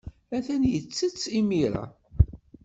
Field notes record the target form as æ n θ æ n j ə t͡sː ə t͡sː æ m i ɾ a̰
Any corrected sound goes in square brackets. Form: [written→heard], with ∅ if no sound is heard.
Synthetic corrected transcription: æ [n→∅] θ æ n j ə t͡sː ə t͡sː [æ→i] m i ɾ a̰